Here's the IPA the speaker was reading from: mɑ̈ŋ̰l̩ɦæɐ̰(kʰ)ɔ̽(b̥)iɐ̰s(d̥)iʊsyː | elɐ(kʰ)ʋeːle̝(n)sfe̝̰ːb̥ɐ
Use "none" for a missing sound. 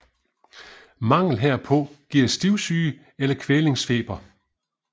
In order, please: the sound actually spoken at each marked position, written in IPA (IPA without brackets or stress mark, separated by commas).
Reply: pʰ, ɡ̥, d̥, kʰ, ŋ